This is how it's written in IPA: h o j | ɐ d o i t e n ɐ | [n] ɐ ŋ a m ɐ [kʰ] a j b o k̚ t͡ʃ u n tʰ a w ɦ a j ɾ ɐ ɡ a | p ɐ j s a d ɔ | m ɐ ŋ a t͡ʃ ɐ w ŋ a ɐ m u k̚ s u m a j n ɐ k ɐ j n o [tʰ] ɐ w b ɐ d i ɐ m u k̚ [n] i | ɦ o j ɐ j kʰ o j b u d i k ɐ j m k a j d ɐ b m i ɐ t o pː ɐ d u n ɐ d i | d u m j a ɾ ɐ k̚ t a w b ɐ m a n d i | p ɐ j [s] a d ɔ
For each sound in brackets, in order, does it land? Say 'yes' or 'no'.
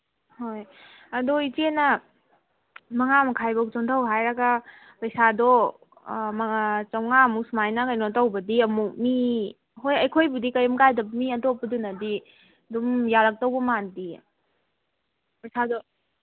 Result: no, yes, no, no, yes

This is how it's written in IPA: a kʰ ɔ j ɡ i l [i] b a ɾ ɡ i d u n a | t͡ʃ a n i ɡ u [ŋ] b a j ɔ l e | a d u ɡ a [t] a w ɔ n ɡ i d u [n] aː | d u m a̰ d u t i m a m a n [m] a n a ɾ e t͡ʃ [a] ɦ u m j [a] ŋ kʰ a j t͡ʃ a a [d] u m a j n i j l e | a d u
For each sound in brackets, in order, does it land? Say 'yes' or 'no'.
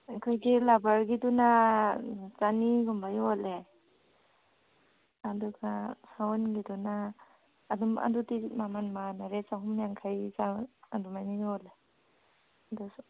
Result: no, no, no, yes, yes, yes, yes, yes

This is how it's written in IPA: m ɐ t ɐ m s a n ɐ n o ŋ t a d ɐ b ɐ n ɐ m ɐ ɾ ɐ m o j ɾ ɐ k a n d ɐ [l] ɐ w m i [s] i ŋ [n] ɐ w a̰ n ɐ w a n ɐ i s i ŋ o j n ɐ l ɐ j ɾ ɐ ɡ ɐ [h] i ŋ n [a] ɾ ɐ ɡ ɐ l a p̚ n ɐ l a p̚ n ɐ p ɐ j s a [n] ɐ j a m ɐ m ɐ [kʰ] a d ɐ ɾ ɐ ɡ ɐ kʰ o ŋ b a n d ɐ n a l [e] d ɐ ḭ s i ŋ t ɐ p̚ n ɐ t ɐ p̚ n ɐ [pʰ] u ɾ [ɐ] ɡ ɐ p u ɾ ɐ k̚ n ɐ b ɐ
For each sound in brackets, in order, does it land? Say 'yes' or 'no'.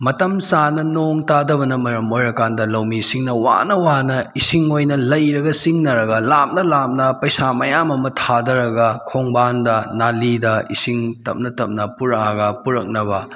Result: yes, yes, yes, no, no, no, no, no, no, no

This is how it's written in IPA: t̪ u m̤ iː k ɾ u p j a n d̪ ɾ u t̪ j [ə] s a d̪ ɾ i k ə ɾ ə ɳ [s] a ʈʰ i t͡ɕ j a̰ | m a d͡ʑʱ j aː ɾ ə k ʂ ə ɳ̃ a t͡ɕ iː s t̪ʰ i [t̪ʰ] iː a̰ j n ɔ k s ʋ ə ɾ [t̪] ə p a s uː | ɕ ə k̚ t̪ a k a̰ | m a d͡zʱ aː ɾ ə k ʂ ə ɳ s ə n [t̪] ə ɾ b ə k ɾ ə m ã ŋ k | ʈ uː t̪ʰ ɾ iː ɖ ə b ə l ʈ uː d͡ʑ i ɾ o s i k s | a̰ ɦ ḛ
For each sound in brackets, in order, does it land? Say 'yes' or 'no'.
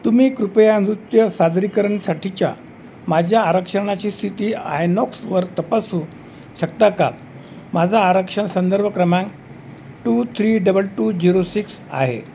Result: yes, yes, no, yes, no

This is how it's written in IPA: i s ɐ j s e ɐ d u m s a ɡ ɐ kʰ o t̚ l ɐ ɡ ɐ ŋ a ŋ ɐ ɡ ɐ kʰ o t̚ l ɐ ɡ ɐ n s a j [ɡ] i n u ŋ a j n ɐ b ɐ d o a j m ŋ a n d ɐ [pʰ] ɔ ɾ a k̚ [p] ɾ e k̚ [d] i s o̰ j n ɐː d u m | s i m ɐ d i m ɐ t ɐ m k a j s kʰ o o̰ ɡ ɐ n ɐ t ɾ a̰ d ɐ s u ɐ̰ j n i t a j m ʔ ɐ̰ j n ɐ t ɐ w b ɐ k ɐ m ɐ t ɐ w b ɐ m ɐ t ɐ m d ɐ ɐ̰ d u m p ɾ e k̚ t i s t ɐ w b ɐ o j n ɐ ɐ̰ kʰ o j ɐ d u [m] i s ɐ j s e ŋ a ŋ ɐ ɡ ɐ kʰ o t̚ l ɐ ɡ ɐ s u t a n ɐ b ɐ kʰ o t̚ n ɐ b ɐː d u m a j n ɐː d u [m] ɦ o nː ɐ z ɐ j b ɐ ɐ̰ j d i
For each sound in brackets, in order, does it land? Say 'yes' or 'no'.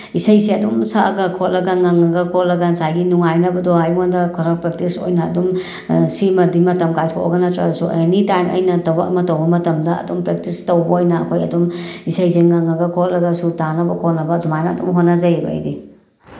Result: yes, no, yes, no, yes, yes

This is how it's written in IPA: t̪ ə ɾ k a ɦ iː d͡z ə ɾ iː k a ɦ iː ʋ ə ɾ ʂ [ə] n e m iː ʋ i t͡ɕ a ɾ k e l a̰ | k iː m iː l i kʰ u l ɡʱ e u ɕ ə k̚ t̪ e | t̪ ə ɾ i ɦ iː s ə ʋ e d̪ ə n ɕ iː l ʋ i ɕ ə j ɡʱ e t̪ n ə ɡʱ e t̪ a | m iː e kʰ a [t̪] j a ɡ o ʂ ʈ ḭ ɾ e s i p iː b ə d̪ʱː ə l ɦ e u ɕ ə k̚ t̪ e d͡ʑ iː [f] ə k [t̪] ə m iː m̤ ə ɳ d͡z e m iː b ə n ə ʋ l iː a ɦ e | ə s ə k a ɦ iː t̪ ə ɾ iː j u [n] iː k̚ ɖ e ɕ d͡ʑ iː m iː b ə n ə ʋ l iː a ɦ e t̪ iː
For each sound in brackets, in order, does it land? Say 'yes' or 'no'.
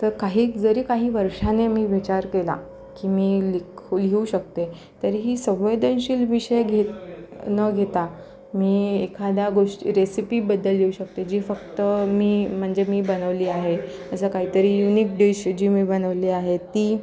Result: no, no, yes, yes, yes

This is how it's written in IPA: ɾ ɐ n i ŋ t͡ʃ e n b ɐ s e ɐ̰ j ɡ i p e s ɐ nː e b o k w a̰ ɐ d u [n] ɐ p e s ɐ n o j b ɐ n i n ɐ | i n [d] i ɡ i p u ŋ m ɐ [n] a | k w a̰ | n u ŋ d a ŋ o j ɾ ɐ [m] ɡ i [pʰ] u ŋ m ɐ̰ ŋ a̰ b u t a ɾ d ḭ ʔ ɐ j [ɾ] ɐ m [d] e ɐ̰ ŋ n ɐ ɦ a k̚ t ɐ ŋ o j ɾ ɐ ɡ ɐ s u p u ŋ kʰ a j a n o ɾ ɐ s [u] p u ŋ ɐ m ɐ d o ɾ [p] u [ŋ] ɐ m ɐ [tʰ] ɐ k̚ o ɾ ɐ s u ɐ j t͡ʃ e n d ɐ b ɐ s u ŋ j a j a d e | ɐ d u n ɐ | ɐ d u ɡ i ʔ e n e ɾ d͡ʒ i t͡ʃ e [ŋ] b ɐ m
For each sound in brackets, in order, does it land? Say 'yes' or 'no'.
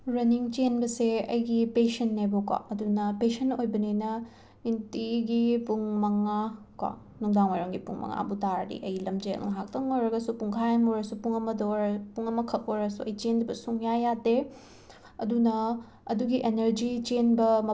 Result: yes, no, no, no, no, no, no, yes, yes, yes, no, no

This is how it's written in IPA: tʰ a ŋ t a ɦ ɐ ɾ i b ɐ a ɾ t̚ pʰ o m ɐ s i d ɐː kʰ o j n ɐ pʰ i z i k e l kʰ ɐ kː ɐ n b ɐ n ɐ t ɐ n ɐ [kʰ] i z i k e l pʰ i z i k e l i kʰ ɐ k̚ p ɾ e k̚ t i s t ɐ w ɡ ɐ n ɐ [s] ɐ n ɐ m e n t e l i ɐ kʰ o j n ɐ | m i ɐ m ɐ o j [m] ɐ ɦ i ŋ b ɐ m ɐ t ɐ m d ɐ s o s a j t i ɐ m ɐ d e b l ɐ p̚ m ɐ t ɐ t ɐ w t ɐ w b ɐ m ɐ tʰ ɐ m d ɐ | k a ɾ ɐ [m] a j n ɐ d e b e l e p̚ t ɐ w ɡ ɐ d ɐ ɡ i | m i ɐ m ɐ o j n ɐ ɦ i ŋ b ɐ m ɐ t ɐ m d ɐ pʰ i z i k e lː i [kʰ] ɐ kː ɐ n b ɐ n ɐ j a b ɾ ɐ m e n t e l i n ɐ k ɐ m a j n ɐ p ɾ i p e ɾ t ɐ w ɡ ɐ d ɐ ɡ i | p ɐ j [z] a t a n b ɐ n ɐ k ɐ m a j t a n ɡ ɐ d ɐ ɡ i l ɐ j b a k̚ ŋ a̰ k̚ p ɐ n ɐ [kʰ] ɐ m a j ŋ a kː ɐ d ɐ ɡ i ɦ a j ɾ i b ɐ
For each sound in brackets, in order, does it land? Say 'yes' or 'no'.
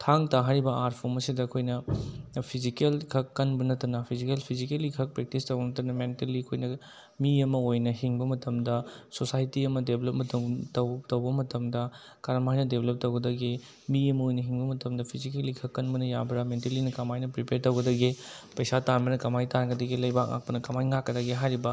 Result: no, no, no, yes, yes, no, no

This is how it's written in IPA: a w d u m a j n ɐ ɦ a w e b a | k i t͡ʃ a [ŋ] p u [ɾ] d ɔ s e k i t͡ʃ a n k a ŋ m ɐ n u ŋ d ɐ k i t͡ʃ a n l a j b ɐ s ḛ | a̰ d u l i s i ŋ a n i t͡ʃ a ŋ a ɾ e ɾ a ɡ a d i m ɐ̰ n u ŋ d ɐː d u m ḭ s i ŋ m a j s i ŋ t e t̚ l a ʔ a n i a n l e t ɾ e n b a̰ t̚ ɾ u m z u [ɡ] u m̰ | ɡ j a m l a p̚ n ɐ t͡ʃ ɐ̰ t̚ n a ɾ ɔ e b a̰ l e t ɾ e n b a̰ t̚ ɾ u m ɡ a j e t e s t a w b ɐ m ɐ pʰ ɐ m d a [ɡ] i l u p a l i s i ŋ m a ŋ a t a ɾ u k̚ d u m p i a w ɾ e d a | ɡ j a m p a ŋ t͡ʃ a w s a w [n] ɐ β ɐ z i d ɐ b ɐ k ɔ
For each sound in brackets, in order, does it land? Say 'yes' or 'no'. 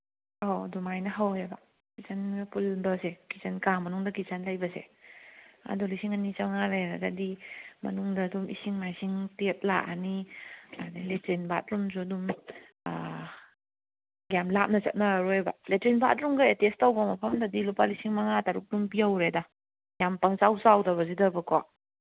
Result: no, no, no, no, no

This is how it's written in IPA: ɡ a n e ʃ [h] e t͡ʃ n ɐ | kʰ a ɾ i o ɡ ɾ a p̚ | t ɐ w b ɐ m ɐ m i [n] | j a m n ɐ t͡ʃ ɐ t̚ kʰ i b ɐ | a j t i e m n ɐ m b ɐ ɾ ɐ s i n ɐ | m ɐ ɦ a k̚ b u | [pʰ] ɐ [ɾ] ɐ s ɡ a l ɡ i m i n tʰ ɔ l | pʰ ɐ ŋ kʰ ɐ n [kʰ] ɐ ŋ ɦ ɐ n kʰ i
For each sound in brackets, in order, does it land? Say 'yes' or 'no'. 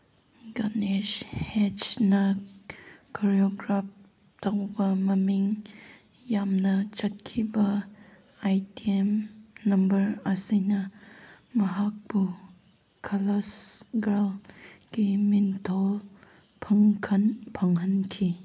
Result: yes, no, no, no, no

